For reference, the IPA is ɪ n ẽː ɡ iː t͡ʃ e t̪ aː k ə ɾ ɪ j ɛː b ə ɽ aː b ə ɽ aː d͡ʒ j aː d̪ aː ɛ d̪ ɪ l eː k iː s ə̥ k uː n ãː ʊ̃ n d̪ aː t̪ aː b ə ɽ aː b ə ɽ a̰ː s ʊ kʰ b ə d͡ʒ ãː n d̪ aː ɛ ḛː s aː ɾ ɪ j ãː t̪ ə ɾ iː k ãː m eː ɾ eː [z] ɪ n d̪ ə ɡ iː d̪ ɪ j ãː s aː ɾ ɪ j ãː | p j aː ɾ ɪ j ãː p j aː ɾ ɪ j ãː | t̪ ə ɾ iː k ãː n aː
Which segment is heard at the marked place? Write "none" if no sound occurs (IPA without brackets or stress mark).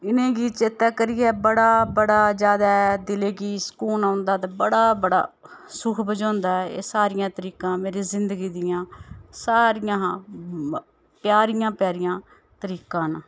z